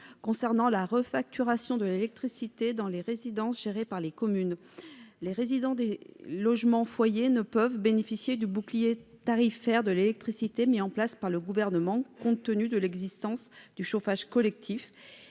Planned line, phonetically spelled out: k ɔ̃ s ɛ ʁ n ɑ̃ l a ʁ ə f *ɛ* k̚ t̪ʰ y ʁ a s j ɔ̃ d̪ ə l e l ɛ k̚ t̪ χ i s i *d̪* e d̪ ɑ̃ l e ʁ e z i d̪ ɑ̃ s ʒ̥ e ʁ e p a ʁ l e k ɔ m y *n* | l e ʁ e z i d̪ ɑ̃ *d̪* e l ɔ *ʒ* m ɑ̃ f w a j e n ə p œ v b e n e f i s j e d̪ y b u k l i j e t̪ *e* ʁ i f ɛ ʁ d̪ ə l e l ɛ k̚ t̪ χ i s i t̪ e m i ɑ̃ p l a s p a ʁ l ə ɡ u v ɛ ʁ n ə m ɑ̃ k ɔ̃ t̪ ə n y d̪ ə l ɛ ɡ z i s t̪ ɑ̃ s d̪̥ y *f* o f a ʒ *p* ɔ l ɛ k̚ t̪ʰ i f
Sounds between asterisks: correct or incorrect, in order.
incorrect: a, incorrect: t̪, correct, correct, correct, incorrect: a, incorrect: ʃ, incorrect: k

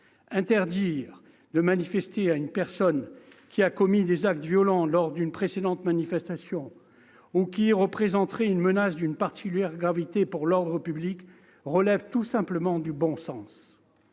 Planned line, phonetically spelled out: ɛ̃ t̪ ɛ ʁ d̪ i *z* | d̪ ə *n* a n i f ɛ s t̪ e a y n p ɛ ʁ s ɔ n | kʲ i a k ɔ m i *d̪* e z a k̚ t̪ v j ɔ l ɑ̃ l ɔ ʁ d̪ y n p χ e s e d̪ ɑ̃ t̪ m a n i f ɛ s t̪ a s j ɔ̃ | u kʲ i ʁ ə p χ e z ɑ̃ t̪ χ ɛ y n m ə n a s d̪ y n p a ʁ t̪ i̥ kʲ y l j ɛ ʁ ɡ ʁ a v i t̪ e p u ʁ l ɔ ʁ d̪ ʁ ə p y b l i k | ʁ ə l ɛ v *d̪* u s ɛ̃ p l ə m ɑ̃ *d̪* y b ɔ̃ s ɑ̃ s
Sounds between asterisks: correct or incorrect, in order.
incorrect: ʁ, incorrect: m, correct, incorrect: t̪, correct

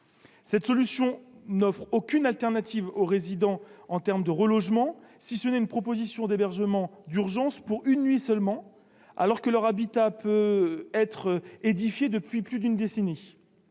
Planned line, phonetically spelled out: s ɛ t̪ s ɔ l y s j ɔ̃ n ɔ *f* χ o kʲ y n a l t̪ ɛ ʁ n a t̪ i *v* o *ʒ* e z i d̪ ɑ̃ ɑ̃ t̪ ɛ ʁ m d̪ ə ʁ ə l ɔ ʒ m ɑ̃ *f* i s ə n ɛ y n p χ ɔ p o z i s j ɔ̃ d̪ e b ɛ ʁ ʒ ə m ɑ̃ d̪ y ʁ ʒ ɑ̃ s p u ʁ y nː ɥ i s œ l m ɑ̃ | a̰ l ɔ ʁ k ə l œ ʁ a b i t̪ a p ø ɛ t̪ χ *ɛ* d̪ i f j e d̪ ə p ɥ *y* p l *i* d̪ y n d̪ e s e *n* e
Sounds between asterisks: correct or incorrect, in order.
correct, correct, incorrect: ʁ, incorrect: s, incorrect: e, incorrect: i, incorrect: y, correct

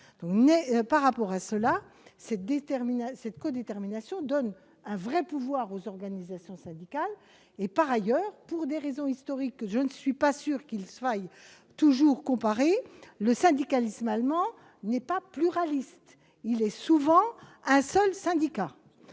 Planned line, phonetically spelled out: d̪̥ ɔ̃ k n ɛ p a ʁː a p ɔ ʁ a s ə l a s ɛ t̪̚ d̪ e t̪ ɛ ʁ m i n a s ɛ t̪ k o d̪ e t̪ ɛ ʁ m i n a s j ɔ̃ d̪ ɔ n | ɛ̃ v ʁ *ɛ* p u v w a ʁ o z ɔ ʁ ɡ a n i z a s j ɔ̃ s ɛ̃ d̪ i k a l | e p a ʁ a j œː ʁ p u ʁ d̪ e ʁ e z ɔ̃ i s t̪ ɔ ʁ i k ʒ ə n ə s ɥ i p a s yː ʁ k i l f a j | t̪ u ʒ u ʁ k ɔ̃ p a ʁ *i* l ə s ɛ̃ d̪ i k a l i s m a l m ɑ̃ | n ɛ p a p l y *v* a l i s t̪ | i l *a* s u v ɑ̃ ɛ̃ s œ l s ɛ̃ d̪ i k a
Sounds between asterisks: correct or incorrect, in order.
correct, incorrect: e, incorrect: ʁ, incorrect: ɛ

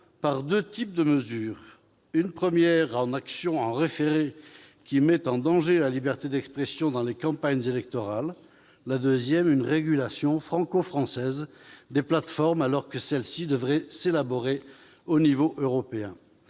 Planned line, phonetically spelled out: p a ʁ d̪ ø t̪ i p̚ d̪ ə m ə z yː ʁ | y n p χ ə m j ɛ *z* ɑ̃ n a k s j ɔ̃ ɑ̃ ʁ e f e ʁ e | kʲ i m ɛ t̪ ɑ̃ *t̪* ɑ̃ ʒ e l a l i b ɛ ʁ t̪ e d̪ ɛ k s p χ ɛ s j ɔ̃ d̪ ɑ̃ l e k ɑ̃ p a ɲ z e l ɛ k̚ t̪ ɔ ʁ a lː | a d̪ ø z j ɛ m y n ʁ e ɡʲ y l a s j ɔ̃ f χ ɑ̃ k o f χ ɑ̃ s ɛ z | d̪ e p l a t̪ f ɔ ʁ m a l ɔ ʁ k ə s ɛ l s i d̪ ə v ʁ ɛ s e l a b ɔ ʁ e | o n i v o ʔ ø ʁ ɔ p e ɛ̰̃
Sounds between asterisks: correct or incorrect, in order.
incorrect: ʁ, incorrect: d̪

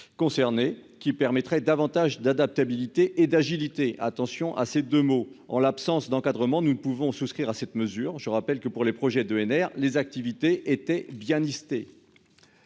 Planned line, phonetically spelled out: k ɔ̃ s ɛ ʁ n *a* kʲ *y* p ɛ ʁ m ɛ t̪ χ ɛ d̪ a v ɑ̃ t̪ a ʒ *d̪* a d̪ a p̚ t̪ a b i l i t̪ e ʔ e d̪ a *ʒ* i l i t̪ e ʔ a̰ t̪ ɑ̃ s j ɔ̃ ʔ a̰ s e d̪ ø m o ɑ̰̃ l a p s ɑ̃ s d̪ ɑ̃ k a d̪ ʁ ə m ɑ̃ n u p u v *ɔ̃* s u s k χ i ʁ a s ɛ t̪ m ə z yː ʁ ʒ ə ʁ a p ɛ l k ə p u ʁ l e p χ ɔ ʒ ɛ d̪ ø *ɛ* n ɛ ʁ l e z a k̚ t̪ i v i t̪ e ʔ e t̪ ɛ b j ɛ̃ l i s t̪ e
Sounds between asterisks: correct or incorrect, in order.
incorrect: e, incorrect: i, correct, correct, correct, correct

